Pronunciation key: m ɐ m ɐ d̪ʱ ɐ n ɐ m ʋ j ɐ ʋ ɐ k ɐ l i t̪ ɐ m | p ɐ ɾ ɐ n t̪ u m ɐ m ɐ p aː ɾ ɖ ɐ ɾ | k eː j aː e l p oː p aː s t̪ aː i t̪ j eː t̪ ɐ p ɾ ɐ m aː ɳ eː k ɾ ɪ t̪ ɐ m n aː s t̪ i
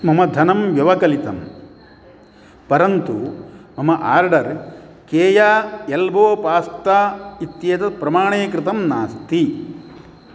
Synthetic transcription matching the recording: m ɐ m ɐ d̪ʱ ɐ n ɐ m ʋ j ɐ ʋ ɐ k ɐ l i t̪ ɐ m | p ɐ ɾ ɐ n t̪ u m ɐ m ɐ ʔ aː ɾ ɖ ɐ ɾ | k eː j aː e l b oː p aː s t̪ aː i t̪ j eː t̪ ɐ p ɾ ɐ m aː ɳ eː k ɾ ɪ t̪ ɐ m n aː s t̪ i